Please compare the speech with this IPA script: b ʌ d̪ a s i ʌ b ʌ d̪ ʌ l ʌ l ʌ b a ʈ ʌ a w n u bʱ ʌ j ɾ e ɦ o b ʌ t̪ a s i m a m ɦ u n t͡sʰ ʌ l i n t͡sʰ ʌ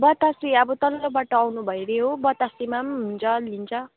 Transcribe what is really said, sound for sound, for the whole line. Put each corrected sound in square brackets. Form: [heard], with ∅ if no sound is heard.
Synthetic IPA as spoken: b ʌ [t̪] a s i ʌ b ʌ [t̪] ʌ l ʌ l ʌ b a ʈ ʌ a w n u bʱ ʌ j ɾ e ɦ o b ʌ t̪ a s i m a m ɦ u n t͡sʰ ʌ l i n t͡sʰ ʌ